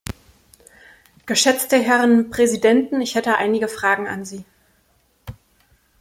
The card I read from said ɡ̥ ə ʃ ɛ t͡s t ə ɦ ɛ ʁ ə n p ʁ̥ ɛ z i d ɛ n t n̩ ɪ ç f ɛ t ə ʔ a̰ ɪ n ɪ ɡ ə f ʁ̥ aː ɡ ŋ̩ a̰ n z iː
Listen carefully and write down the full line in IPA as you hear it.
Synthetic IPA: ɡ̥ ə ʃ ɛ t͡s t ə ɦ ɛ ʁ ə n p ʁ̥ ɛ z i d ɛ n t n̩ ɪ ç h ɛ t ə ʔ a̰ ɪ n ɪ ɡ ə f ʁ̥ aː ɡ ŋ̩ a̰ n z iː